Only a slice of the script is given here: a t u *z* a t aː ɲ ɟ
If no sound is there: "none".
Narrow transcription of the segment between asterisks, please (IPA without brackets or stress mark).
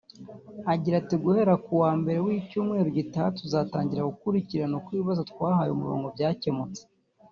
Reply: z